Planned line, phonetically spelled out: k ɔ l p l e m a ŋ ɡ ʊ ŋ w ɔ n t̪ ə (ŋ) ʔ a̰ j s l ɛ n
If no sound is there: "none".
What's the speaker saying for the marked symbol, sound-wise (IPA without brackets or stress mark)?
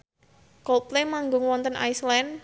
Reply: n